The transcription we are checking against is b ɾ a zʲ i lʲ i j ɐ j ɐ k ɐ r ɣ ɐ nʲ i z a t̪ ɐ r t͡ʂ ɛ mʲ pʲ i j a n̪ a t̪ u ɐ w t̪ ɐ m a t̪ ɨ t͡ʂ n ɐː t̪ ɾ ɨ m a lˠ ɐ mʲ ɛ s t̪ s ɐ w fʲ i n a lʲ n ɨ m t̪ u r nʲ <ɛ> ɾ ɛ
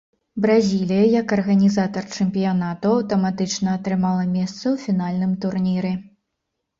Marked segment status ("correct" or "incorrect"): incorrect